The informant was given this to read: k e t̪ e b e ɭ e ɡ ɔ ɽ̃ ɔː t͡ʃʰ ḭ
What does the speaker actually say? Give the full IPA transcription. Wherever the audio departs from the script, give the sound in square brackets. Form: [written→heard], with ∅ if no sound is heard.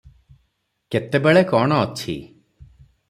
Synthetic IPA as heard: k e t̪ e b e ɭ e [ɡ→k] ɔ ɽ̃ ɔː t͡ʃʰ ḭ